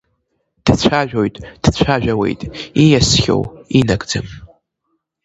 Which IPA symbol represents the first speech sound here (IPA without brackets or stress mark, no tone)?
d̥